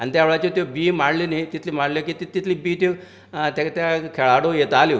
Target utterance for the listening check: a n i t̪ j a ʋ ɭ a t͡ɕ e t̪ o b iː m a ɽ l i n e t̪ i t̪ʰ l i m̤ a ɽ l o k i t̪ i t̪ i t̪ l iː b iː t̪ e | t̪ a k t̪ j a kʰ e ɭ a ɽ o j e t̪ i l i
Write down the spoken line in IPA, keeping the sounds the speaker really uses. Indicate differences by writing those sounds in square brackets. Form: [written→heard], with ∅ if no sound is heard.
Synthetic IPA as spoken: a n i t̪ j a ʋ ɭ a t͡ɕ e t̪ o b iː m a ɽ l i n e t̪ i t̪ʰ l i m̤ a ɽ l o k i t̪ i t̪ i t̪ l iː b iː t̪ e | t̪ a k t̪ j a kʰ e ɭ a ɽ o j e t̪ [i→a] l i

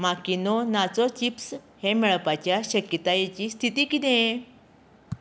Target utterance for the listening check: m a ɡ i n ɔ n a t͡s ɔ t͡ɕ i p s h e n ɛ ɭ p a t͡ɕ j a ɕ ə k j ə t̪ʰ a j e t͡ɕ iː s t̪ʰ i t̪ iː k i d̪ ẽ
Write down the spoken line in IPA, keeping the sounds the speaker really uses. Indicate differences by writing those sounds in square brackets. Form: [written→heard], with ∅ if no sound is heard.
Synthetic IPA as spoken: m a [ɡ→k] i n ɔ n a t͡s ɔ t͡ɕ i p s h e [n→m] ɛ ɭ p a t͡ɕ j a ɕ ə k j ə [t̪ʰ→t̪] a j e t͡ɕ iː s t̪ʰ i t̪ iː k i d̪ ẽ

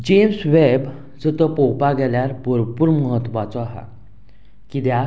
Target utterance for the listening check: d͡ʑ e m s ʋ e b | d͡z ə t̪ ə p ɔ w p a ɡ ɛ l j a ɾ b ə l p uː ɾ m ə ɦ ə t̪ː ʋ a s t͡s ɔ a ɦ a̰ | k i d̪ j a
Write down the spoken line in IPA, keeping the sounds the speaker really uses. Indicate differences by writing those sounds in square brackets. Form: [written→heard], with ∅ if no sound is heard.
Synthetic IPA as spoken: d͡ʑ e m s ʋ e b | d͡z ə t̪ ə p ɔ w p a ɡ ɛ l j a ɾ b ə [l→ɾ] p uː ɾ m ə ɦ ə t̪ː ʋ a [s→∅] t͡s ɔ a ɦ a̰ | k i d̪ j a

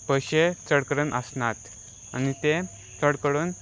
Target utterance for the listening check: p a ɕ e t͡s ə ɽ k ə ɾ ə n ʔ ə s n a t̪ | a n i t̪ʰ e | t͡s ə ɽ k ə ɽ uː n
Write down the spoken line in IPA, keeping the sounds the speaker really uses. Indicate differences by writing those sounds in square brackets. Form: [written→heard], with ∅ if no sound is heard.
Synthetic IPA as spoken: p [a→ə] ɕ e t͡s ə ɽ k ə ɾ ə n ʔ ə s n a t̪ | a n i [t̪ʰ→t̪] e | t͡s ə ɽ k ə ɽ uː n

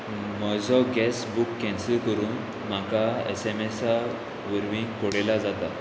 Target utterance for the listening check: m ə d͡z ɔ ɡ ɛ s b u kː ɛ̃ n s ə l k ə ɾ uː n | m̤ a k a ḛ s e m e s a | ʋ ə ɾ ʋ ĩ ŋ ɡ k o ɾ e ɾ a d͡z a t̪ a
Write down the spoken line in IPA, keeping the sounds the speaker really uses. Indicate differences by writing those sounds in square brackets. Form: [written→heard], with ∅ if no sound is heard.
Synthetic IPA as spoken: m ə d͡z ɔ ɡ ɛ s b u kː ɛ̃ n s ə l k ə ɾ uː n | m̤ a k a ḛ s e m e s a | ʋ ə ɾ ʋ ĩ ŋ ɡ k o [ɾ→ɽ] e [ɾ→l] a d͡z a t̪ a

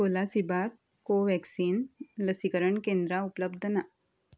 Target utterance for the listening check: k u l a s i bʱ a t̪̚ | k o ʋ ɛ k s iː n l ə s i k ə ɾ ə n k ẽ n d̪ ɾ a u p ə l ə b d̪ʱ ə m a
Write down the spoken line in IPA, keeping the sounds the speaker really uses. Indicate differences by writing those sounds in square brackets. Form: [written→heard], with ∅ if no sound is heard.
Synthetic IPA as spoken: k [u→o] l a s i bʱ a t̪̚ | k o ʋ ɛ k s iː n l ə s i k ə ɾ ə [n→ɳ] k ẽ n d̪ ɾ a u p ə l ə b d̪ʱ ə [m→n] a

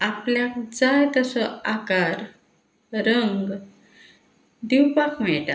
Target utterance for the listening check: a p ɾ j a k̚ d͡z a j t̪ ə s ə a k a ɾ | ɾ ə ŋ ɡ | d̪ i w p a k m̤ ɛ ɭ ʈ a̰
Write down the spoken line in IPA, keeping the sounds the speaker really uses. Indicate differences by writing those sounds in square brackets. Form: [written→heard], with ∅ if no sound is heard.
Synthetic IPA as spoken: a p [ɾ→l] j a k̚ d͡z a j t̪ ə s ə a k a ɾ | ɾ ə ŋ ɡ | d̪ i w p a k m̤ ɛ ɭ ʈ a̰

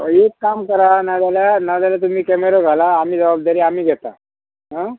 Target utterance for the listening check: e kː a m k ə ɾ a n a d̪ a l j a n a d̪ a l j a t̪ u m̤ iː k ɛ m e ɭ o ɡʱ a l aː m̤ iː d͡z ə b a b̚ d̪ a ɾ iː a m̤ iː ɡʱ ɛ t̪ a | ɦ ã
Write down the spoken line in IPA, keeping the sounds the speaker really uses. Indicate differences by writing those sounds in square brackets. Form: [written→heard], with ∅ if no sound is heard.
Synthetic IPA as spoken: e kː a m k ə ɾ a n a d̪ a l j a n a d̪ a l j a t̪ u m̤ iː k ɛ m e [ɭ→ɾ] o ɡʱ a l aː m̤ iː d͡z ə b a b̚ d̪ a ɾ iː a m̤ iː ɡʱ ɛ t̪ a | ɦ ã

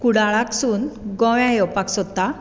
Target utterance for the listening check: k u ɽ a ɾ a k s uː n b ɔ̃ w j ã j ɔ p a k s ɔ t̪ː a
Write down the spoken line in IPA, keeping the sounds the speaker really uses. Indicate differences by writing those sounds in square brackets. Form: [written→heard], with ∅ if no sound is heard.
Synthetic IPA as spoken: k u ɽ a [ɾ→ɭ] a k s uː n [b→ɡ] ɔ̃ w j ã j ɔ p a k s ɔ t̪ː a

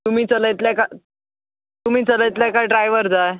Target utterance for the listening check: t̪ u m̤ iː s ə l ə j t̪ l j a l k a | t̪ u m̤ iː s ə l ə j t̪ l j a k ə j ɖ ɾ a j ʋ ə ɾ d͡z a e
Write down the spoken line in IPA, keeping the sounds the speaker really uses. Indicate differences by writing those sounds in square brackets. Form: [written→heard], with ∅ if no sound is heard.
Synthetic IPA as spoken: t̪ u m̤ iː [s→t͡s] ə l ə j t̪ l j a [l→∅] k a | t̪ u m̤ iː [s→t͡s] ə l ə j t̪ l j a k [ə→a] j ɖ ɾ a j ʋ ə ɾ d͡z a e

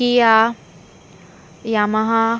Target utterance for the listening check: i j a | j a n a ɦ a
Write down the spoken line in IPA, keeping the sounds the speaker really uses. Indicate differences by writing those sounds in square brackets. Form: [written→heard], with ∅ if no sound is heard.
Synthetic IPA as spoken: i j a | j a [n→m] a ɦ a

